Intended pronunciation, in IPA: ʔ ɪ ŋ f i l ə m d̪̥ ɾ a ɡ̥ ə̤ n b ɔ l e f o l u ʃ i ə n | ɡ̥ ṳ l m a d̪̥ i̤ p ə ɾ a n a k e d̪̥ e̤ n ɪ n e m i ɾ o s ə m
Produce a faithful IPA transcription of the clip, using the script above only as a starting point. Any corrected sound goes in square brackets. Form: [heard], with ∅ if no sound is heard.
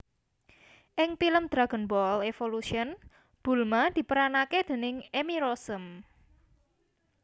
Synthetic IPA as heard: ʔ ɪ ŋ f i l ə m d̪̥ ɾ a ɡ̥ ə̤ n b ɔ l e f o l u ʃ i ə n | [b̥] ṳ l m a d̪̥ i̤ p ə ɾ a n a k e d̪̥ e̤ n ɪ [ŋ] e m i ɾ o s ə m